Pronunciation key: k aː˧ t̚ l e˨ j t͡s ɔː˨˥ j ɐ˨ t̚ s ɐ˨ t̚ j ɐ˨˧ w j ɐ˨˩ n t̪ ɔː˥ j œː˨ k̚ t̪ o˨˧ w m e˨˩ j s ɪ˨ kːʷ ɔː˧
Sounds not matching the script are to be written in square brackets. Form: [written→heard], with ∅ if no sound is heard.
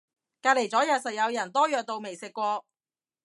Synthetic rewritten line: k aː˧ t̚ l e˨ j t͡s ɔː˨˥ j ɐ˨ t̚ s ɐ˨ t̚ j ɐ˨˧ w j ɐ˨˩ n t̪ ɔː˥ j œː˨ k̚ t̪ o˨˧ w m e˨˩ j s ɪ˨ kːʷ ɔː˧